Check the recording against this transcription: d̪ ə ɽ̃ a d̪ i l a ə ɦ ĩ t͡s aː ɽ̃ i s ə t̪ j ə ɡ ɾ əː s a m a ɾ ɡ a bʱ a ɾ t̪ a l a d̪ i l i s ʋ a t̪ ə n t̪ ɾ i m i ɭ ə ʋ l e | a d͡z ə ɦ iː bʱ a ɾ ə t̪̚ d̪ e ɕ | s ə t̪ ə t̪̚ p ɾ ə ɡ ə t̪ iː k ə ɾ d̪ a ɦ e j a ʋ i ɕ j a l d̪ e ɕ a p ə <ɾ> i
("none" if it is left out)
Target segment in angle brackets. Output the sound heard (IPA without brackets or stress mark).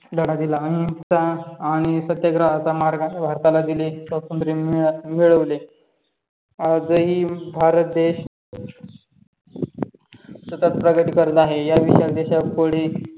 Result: ɽ